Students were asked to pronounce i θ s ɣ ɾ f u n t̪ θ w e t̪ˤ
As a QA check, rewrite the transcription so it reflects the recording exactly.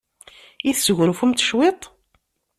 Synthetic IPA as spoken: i θ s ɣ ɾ f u m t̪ ʃ w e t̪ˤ